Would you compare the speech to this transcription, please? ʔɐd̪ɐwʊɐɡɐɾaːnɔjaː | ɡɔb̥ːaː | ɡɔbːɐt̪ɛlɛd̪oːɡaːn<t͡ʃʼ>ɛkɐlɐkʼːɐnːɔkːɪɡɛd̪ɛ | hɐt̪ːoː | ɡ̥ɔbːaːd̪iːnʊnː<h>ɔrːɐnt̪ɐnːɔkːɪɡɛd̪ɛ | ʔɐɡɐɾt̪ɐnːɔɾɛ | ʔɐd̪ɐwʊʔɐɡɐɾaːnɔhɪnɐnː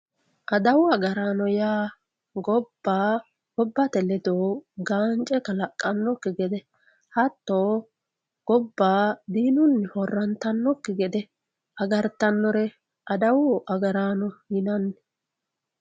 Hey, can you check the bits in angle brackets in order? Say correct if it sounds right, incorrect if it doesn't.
correct, correct

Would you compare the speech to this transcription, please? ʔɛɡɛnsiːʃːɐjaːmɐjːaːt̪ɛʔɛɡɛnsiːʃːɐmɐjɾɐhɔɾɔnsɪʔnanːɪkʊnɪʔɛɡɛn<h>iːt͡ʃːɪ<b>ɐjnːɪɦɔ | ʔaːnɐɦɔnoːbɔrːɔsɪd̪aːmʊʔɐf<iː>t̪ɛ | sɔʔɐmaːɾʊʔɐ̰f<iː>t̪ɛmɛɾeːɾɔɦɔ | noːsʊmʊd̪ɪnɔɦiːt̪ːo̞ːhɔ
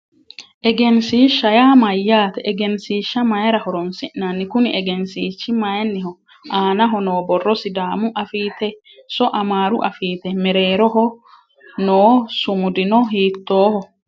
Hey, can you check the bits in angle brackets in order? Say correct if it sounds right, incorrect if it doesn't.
incorrect: s, incorrect: m, correct, correct

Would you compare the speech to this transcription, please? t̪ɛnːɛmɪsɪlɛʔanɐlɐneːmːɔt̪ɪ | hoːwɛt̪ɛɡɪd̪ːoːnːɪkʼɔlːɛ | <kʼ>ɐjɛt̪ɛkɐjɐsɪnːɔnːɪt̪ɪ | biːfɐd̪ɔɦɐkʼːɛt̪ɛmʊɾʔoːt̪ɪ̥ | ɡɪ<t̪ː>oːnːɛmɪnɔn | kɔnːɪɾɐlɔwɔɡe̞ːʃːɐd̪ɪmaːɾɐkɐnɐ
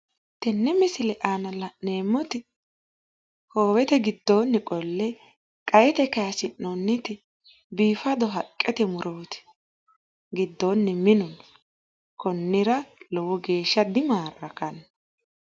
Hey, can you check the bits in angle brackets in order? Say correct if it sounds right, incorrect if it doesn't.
correct, incorrect: d̪ː

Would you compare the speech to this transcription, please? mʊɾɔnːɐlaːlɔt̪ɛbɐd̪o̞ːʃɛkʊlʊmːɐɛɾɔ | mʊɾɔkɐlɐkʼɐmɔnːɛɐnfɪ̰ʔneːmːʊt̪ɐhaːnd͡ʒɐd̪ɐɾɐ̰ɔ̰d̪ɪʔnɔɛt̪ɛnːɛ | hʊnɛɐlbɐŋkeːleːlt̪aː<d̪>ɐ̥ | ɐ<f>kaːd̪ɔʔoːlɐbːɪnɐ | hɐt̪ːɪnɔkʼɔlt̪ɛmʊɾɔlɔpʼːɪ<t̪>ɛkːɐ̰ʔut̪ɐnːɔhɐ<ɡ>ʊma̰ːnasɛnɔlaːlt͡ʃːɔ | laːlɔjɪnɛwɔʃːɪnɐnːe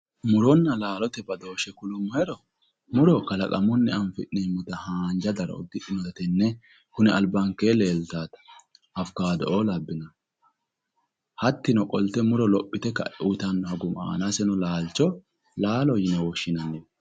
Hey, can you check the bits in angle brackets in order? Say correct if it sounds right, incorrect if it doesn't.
incorrect: t̪, correct, correct, correct

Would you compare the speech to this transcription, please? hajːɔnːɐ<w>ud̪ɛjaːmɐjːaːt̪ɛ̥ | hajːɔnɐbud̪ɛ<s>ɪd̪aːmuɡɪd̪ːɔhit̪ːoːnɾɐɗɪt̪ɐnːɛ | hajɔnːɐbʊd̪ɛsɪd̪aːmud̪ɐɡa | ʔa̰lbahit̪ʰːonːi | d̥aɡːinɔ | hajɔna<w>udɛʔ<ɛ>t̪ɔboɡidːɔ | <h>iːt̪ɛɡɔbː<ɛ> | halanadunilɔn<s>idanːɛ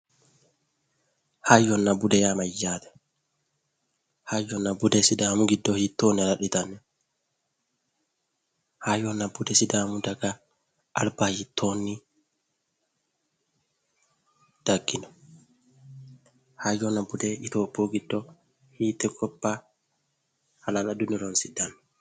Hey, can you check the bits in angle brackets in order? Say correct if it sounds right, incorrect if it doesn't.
incorrect: b, correct, incorrect: b, incorrect: i, correct, incorrect: a, correct

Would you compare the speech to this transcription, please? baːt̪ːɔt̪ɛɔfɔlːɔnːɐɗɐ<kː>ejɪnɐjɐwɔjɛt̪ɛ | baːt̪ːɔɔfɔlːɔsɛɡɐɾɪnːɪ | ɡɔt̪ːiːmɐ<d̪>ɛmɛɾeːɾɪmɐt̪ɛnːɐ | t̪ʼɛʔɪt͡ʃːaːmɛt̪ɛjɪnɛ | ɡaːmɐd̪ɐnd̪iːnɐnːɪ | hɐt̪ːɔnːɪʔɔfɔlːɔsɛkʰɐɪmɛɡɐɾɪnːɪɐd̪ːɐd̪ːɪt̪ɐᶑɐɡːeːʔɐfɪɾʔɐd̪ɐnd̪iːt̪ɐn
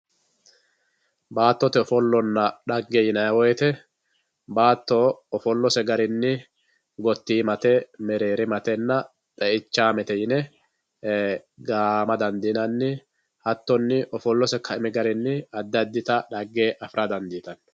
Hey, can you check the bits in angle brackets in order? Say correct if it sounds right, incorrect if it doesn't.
incorrect: ɡː, incorrect: t̪

